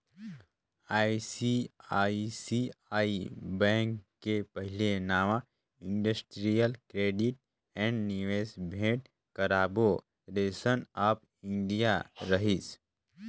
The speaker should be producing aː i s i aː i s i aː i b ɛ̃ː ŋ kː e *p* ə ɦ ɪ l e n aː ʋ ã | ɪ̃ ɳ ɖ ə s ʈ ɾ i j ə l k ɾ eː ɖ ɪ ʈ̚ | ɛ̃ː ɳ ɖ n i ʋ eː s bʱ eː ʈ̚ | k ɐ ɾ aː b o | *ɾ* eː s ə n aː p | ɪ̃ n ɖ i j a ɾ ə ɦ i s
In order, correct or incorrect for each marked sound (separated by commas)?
correct, correct